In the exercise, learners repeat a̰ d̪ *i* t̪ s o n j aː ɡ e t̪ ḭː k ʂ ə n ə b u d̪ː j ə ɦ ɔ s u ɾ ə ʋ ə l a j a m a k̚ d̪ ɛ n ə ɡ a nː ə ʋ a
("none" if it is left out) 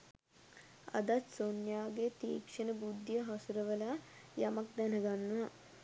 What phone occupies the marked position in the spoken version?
a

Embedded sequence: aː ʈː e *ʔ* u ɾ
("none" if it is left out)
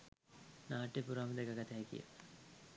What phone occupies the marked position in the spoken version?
p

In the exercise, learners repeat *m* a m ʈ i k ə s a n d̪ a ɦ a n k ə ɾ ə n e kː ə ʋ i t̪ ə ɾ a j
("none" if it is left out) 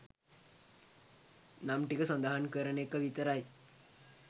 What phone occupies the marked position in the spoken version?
n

